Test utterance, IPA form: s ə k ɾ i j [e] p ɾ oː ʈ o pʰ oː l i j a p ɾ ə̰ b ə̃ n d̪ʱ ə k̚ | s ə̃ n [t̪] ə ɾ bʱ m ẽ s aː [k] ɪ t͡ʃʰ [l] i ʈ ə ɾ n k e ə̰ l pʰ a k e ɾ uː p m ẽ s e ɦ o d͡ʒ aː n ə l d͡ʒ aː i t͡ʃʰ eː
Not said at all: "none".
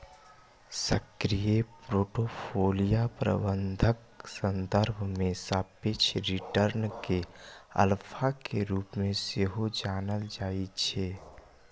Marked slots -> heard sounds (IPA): e, d̪, p, ɾ

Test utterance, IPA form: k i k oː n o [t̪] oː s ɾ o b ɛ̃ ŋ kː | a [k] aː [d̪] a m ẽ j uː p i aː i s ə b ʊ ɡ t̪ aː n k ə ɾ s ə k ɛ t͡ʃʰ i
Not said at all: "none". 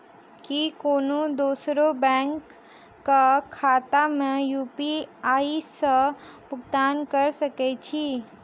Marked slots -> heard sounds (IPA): d̪, kʰ, t̪

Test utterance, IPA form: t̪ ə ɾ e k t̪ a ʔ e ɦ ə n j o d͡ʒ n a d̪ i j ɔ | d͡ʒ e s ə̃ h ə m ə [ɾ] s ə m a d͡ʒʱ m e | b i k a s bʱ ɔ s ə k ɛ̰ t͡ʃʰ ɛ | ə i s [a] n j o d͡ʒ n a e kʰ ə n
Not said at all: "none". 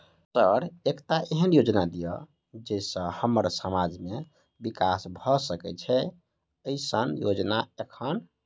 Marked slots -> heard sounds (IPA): ɾ, ə

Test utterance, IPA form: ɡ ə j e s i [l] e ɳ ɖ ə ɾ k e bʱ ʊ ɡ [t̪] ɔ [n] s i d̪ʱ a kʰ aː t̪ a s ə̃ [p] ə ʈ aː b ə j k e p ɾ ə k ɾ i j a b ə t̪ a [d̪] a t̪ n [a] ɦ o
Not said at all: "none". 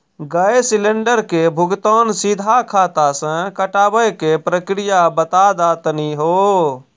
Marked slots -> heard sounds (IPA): l, t̪, n, k, d̪, i

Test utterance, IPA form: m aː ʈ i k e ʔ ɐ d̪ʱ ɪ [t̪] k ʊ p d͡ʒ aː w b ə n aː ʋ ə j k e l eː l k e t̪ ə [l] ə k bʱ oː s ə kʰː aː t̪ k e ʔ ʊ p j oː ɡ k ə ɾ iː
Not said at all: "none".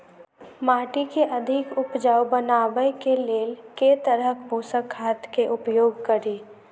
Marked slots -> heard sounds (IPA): none, ɾ

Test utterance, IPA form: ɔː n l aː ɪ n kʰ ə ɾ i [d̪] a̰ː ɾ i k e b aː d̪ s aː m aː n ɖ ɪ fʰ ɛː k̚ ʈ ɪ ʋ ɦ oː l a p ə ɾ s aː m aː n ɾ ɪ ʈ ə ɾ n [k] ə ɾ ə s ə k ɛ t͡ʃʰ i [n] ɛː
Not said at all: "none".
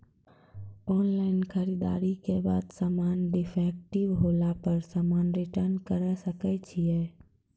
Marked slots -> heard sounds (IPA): d̪, k, none

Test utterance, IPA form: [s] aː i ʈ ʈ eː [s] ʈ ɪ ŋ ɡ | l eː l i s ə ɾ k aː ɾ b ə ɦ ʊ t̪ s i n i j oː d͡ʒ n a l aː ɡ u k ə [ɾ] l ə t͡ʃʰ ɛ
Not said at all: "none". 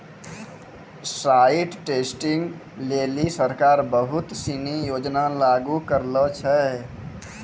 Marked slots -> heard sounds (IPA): s, s, ɾ

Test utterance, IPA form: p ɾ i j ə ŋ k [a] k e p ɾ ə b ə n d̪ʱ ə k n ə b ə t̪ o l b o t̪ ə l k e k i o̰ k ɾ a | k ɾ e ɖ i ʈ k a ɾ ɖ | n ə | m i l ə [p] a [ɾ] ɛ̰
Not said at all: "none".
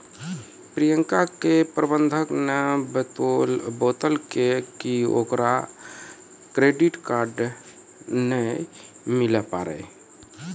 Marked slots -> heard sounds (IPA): a, p, ɾ

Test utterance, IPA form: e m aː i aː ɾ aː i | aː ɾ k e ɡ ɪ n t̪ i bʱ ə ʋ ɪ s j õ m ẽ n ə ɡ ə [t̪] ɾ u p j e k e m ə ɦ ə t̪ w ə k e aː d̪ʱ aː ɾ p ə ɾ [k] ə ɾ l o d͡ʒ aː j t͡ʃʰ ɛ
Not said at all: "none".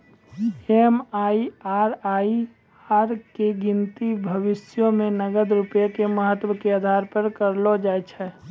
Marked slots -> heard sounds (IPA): d̪, k

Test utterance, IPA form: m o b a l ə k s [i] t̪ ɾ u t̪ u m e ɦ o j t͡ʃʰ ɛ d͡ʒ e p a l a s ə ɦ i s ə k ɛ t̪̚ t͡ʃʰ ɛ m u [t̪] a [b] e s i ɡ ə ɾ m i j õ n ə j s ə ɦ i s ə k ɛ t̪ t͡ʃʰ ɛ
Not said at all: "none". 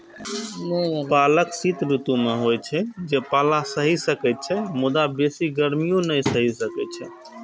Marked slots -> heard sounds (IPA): i, d̪, b

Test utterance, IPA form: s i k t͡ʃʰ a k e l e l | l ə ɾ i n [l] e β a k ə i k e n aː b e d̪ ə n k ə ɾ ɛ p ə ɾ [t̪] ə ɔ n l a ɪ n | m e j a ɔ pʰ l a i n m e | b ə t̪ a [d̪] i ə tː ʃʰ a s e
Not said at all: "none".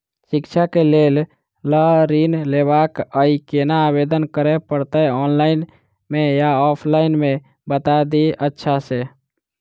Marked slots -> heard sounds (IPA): l, t̪, d̪

